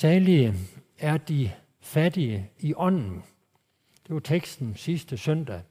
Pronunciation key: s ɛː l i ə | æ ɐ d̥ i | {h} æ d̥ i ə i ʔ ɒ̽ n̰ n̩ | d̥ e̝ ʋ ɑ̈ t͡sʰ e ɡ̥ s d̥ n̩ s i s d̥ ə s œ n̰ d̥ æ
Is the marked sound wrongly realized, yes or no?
yes